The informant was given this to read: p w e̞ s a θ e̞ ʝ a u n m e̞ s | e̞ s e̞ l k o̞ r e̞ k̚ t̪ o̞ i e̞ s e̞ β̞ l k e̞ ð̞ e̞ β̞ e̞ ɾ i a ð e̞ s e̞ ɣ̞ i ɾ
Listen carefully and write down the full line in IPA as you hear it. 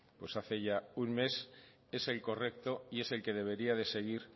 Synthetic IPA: p w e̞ s a θ e̞ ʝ a u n m e̞ s | e̞ s e̞ l k o̞ r e̞ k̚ t̪ o̞ i e̞ s e̞ l k e̞ ð̞ e̞ β̞ e̞ ɾ i a ð e̞ s e̞ ɣ̞ i ɾ

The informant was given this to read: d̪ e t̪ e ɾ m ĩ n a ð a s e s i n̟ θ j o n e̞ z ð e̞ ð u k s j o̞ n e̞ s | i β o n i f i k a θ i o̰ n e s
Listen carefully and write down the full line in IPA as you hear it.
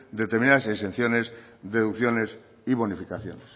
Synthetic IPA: d̪ e t̪ e ɾ m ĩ n a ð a s e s e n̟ θ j o n e̞ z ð e̞ ð u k θ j o̞ n e̞ s | i β o n i f i k a θ j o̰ n e s

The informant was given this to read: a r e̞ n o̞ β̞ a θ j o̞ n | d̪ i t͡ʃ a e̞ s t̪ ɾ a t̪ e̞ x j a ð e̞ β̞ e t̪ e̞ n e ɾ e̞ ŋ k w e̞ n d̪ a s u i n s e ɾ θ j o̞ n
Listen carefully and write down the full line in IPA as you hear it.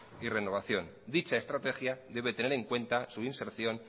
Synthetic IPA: i r e̞ n o̞ β̞ a θ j o̞ n | d̪ i t͡ʃ a e̞ s t̪ ɾ a t̪ e̞ x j a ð e̞ β̞ e t̪ e̞ n e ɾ e̞ ŋ k w e̞ n t̪ a s u i n s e ɾ θ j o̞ n

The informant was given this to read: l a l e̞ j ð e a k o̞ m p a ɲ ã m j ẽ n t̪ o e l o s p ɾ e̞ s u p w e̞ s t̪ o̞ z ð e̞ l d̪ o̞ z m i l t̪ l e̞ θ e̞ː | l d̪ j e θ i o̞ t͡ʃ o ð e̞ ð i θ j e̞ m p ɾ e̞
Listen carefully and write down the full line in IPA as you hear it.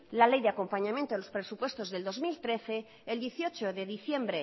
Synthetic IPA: l a l e̞ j ð e a k o̞ m p a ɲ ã m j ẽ n t̪ o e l o s p ɾ e̞ s u p w e̞ s t̪ o̞ z ð e̞ l d̪ o̞ z m i l t̪ ɾ e̞ θ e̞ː | l d̪ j e θ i o̞ t͡ʃ o ð e̞ ð i θ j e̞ m b ɾ e̞

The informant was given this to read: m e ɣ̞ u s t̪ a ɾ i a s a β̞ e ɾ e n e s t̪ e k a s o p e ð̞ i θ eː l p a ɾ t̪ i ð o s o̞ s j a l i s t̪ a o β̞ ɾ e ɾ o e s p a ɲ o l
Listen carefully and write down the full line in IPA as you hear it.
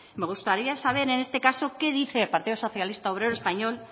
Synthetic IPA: m e ɣ̞ u s t̪ a ɾ i a s a β̞ e ɾ e n e s t̪ e k a s o k e ð̞ i θ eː l p a ɾ t̪ i ð o s o̞ θ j a l i s t̪ a o β̞ ɾ e ɾ o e s p a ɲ o l

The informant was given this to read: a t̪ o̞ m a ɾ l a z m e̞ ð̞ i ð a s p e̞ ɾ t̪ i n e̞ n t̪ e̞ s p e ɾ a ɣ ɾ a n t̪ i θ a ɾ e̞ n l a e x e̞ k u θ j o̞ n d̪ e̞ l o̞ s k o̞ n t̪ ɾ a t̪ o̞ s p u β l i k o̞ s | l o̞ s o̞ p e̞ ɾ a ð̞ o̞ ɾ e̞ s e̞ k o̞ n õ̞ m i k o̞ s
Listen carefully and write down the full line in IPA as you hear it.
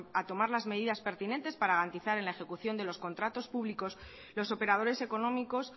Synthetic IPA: a t̪ o̞ m a ɾ l a z m e̞ ð̞ i ð a s p e̞ ɾ t̪ i n e̞ n t̪ e̞ s p a ɾ a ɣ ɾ a n t̪ i θ a ɾ e̞ n l a e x e̞ k u θ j o̞ n d̪ e̞ l o̞ s k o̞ n t̪ ɾ a t̪ o̞ s p u β l i k o̞ s | l o̞ s o̞ p e̞ ɾ a ð̞ o̞ ɾ e̞ s e̞ k o̞ n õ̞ m i k o̞ s

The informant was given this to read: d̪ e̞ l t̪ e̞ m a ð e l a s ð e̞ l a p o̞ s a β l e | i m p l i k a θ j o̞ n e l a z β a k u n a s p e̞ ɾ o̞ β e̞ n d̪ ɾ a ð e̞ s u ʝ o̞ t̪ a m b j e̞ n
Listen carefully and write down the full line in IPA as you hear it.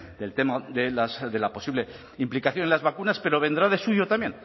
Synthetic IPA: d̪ e̞ l t̪ e̞ m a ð e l a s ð e̞ l a p o̞ s i β l e | i m p l i k a θ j o̞ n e l a z β a k u n a s p e̞ ɾ o̞ β e̞ n d̪ ɾ a ð e̞ s u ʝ o̞ t̪ a m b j e̞ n

